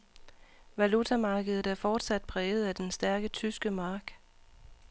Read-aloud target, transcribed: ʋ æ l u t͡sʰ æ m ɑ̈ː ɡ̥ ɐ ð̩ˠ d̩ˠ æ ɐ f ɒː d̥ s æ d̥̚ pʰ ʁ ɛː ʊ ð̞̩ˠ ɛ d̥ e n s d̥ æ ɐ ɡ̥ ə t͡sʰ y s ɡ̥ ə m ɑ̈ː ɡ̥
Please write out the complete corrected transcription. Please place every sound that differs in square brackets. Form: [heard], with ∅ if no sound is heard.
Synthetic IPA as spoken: ʋ æ l u t͡sʰ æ m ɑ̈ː ɡ̥ [ə] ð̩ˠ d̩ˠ æ ɐ f ɒː d̥ s æ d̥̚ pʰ ʁ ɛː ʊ ð̞̩ˠ [æ] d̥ e n s d̥ æ ɐ ɡ̥ ə t͡sʰ y s ɡ̥ ə m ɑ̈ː ɡ̥

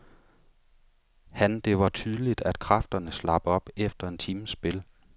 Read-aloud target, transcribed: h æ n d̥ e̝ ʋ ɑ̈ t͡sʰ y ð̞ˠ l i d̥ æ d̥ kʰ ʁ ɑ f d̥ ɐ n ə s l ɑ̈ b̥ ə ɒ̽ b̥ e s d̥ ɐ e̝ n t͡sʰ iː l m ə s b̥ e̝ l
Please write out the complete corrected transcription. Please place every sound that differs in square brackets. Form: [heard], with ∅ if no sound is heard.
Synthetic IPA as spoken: h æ n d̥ e̝ ʋ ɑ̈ t͡sʰ y ð̞ˠ l i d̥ æ d̥ kʰ ʁ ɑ f d̥ ɐ n ə s l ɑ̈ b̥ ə ɒ̽ b̥ e [f] d̥ ɐ e̝ n t͡sʰ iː [∅] m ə s b̥ e̝ l

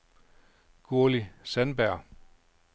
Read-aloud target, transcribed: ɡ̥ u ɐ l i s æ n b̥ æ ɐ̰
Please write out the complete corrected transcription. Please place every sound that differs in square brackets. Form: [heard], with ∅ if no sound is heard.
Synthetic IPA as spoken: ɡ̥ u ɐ l i s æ n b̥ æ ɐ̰

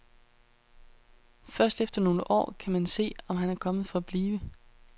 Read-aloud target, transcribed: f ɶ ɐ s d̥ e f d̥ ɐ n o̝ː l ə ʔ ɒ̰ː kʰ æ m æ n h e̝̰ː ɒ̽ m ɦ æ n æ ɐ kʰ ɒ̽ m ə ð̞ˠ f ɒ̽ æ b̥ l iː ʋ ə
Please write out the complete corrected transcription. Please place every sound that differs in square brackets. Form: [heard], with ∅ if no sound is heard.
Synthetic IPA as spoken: f ɶ ɐ s d̥ e f d̥ ɐ n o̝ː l ə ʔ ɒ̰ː kʰ æ m æ n [s] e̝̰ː ɒ̽ m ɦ æ n æ ɐ kʰ ɒ̽ m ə ð̞ˠ f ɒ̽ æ b̥ l iː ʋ ə

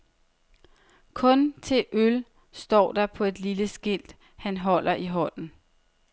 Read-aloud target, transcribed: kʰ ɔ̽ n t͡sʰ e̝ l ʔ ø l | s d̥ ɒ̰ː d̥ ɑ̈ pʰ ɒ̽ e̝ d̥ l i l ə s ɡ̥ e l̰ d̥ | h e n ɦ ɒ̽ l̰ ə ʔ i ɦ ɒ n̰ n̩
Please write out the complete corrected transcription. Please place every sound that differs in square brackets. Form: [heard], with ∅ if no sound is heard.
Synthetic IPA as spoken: kʰ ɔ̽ n t͡sʰ e̝ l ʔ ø l | s d̥ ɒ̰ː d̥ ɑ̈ pʰ ɒ̽ e̝ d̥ l i l ə s ɡ̥ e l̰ d̥ | h [æ] n ɦ ɒ̽ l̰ [ɐ] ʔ i ɦ ɒ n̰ n̩

